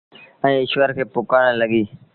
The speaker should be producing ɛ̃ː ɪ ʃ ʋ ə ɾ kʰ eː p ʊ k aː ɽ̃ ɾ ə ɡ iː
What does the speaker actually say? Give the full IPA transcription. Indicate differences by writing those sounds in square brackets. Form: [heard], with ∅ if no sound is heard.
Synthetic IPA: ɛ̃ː ɪ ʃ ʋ ə ɾ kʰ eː p ʊ k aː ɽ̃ [l] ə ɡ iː